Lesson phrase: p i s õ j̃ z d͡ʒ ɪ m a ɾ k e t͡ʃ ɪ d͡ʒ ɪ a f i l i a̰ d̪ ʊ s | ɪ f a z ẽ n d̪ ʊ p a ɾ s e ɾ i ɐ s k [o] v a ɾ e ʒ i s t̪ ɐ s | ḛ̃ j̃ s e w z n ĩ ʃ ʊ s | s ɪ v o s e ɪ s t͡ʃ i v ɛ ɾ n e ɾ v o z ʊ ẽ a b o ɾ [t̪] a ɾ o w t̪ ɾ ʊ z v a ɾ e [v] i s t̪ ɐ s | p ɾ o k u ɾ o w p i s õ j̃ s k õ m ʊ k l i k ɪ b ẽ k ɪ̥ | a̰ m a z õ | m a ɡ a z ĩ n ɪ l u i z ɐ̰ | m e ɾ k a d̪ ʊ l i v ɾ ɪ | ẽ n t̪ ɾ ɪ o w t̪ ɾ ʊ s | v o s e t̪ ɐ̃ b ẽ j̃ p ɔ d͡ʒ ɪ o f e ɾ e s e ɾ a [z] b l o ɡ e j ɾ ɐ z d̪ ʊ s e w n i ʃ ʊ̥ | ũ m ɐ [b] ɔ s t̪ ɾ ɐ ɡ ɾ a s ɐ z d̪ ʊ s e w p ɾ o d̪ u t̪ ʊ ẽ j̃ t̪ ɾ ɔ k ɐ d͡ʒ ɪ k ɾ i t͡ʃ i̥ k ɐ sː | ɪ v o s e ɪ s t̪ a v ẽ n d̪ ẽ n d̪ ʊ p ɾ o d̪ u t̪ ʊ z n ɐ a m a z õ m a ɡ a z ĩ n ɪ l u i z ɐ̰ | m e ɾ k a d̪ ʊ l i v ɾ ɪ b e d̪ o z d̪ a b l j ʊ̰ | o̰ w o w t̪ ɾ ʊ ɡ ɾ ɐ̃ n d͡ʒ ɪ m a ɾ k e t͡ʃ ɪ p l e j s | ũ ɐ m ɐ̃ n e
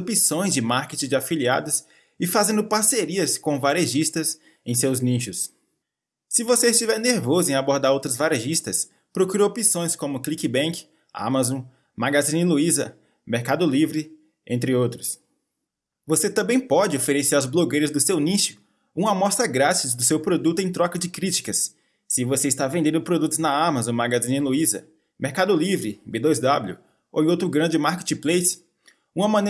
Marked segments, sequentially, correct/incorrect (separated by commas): incorrect, incorrect, incorrect, correct, incorrect